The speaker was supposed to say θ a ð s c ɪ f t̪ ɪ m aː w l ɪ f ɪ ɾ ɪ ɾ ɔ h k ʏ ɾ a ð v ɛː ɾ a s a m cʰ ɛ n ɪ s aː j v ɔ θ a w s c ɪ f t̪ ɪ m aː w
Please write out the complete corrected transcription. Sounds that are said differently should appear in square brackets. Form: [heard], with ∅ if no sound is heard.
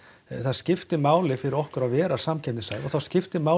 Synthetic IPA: θ a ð s c ɪ f t̪ ɪ m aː w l ɪ f ɪ ɾ ɪ ɾ ɔ h k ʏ ɾ a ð v ɛː ɾ a s a m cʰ ɛ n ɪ s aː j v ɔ θ a w s c ɪ f t̪ ɪ m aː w